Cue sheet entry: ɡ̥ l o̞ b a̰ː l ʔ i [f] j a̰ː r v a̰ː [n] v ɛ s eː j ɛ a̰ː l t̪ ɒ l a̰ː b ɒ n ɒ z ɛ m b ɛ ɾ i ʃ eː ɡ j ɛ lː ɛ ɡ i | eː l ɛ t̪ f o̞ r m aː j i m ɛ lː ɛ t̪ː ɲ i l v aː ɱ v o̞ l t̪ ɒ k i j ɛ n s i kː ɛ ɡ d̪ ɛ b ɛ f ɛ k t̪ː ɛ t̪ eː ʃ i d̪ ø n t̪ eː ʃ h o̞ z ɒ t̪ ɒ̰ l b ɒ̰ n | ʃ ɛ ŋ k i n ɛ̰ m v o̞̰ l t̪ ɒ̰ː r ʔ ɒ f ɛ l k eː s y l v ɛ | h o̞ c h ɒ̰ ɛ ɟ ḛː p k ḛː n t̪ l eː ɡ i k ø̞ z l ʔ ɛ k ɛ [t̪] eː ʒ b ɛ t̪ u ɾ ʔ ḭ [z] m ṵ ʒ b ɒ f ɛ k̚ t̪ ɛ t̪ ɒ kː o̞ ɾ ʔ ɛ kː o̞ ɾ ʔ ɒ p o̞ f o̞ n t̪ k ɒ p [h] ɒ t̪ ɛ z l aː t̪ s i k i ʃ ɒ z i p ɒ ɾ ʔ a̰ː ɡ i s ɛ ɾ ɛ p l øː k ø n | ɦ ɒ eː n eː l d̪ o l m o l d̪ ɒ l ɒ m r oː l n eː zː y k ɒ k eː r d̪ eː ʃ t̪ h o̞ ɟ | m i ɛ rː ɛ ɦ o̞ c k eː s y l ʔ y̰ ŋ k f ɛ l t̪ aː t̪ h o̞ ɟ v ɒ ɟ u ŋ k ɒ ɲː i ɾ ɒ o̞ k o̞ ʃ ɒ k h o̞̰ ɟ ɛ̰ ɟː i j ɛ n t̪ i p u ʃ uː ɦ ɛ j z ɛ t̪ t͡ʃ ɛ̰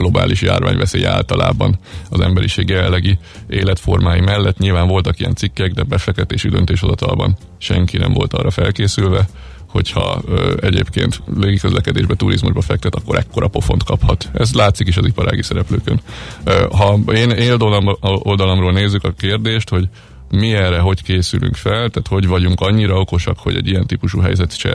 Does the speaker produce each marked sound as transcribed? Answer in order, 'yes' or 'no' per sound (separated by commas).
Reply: no, no, no, yes, yes